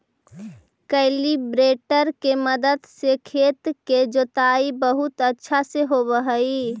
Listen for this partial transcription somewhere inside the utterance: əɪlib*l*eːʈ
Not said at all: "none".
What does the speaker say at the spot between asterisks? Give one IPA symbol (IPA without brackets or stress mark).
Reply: ɾ